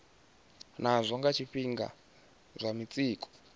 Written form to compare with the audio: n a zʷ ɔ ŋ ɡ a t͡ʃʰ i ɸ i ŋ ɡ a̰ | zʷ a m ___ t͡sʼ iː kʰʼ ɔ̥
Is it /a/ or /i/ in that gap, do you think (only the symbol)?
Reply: i